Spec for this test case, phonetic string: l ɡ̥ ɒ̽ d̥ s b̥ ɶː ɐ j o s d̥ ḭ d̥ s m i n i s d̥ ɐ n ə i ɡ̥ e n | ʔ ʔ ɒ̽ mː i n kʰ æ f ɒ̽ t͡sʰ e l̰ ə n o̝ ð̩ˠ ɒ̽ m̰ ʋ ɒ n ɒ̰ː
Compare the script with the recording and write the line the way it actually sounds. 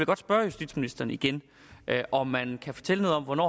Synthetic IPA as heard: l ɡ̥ ɒ̽ d̥ s b̥ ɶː ɐ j u s d̥ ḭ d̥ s m i n i s d̥ ɐ n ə i ɡ̥ e n | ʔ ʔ ɒ̽ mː æ n kʰ æ f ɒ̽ t͡sʰ e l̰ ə n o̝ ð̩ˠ ɒ̽ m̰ ʋ ɒ n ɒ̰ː